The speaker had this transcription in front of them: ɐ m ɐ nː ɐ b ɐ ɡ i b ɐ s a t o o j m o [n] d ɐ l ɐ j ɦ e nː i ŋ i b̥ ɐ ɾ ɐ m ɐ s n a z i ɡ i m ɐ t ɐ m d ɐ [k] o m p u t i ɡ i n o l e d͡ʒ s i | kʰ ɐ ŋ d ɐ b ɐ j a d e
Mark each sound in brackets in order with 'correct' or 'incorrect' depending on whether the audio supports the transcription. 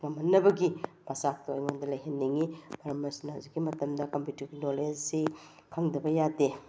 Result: correct, correct

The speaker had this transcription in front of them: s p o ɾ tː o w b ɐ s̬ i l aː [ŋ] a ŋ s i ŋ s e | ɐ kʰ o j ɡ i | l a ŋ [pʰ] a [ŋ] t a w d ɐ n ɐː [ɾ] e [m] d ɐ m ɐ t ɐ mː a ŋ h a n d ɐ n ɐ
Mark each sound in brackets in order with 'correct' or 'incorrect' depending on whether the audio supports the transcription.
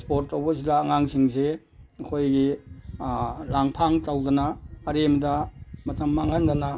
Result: correct, correct, correct, correct, correct

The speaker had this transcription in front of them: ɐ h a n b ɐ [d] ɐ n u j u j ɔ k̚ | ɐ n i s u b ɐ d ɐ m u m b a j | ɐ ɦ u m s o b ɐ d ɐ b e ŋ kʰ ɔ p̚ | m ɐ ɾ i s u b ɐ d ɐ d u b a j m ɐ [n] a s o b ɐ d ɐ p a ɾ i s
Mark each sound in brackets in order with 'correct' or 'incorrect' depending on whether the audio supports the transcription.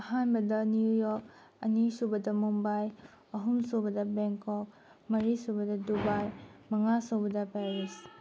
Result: correct, incorrect

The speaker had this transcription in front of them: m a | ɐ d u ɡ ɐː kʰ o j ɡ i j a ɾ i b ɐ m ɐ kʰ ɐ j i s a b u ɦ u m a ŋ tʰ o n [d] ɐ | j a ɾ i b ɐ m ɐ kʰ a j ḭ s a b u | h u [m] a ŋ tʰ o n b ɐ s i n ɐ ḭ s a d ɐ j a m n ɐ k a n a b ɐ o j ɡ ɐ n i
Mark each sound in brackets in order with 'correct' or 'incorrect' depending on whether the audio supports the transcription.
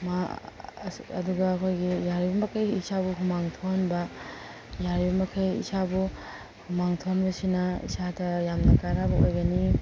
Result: incorrect, correct

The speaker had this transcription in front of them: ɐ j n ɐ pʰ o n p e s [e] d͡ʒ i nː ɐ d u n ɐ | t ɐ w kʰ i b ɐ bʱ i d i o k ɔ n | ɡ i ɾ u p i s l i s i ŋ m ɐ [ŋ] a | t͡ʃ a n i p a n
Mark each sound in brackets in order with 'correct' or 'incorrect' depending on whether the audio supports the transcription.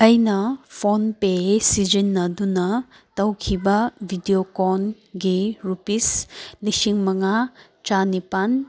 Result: incorrect, correct

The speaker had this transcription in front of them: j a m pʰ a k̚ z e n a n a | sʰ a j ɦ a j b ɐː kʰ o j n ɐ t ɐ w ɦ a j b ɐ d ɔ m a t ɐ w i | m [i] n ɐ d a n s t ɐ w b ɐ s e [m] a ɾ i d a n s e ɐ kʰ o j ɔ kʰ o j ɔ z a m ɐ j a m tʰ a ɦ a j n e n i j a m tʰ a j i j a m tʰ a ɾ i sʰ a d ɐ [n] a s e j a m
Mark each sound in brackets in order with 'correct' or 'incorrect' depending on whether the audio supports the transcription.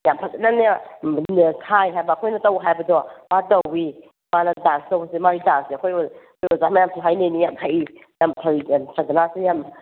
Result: incorrect, correct, correct

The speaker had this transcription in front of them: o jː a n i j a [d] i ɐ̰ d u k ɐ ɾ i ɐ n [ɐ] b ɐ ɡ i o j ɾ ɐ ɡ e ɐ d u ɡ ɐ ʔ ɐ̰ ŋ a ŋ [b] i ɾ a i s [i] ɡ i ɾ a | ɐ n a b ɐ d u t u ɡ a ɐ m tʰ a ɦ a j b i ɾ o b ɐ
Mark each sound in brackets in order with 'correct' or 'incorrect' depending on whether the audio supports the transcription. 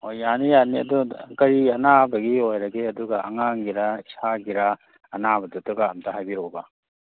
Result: incorrect, incorrect, incorrect, incorrect

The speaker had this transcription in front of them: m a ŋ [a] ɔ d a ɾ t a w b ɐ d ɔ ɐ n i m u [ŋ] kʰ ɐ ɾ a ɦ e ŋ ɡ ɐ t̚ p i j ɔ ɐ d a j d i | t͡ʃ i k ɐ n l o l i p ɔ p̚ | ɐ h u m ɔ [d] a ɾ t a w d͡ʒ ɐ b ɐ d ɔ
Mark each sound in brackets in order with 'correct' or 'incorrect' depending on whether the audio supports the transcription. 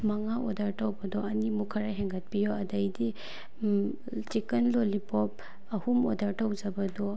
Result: correct, incorrect, correct

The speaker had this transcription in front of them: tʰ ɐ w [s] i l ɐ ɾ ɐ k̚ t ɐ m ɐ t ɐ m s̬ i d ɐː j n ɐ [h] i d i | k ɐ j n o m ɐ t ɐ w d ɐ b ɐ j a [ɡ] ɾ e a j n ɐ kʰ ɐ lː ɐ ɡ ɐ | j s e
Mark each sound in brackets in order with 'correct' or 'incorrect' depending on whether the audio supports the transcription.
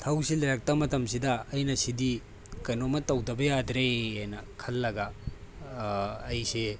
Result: correct, incorrect, incorrect

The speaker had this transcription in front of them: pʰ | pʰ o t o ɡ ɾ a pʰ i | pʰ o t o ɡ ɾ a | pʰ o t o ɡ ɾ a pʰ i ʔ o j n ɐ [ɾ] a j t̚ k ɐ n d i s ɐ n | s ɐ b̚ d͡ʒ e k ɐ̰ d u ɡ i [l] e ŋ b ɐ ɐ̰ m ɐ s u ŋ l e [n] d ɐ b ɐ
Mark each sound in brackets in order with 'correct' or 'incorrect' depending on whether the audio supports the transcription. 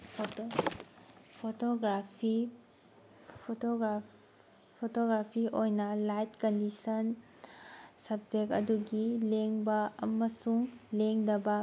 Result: incorrect, correct, incorrect

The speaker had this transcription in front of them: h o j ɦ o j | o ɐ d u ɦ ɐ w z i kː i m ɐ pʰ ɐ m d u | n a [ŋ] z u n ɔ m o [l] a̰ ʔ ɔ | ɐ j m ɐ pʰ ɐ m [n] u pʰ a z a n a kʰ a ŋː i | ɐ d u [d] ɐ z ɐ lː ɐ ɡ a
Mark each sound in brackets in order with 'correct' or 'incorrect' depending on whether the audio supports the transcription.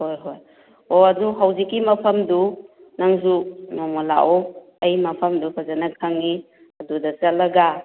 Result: correct, correct, incorrect, correct

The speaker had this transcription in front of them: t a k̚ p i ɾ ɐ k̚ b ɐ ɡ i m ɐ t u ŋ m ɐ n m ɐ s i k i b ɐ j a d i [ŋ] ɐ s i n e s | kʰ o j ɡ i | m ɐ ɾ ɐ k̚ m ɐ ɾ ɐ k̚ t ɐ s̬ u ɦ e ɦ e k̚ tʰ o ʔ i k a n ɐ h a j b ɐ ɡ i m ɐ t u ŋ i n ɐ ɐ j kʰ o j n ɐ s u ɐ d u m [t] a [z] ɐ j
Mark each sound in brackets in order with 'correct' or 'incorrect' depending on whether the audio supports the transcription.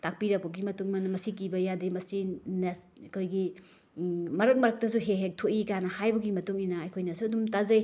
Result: incorrect, correct, correct

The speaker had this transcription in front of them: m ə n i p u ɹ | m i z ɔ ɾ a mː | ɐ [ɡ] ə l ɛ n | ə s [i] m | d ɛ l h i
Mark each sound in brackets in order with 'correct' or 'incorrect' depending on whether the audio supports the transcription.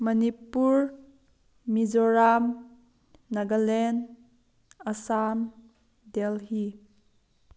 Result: correct, incorrect

